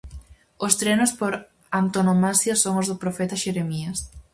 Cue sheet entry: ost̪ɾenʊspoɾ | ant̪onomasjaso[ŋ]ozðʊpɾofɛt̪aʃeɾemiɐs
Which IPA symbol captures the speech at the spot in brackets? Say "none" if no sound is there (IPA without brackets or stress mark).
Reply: ŋ